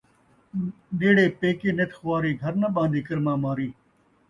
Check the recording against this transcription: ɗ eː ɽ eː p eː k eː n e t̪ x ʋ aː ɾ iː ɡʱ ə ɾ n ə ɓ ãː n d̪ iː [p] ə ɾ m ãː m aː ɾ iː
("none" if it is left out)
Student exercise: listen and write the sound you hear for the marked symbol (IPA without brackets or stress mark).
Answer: k